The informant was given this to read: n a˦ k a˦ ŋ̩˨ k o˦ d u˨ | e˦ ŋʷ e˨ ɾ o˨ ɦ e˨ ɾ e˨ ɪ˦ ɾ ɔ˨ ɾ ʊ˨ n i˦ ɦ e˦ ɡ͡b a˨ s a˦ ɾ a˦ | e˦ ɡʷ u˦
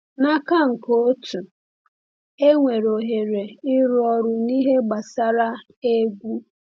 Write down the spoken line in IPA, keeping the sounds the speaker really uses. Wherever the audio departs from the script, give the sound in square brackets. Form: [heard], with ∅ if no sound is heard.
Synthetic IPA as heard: n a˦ k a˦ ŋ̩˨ k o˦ [t] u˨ | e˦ ŋʷ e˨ ɾ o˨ ɦ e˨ ɾ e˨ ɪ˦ ɾ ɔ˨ ɾ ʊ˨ n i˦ ɦ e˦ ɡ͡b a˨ s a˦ ɾ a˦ | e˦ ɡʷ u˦